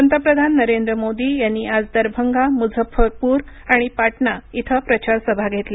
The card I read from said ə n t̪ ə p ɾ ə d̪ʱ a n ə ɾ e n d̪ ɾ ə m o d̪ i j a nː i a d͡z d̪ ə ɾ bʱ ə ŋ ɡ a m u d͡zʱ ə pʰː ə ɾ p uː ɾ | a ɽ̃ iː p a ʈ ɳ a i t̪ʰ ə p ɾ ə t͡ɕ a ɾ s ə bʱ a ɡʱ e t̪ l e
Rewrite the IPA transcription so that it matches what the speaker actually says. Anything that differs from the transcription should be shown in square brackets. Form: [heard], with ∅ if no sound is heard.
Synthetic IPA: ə n t̪ ə p ɾ ə d̪ʱ a [nː] ə ɾ e n d̪ ɾ ə m o d̪ i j a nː i a d͡z d̪ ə ɾ bʱ ə ŋ ɡ a m u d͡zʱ ə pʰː ə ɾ p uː ɾ | a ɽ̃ [i] p a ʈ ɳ a i t̪ʰ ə p ɾ ə t͡ɕ a ɾ s ə bʱ a ɡʱ e t̪ l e